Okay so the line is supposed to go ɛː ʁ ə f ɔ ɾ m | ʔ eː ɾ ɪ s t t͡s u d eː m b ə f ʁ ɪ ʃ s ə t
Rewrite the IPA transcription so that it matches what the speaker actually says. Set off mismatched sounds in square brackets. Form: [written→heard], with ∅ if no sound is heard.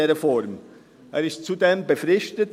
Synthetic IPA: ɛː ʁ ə f ɔ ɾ m | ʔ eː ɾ ɪ s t t͡s u d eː m b ə f ʁ ɪ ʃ [s→t] ə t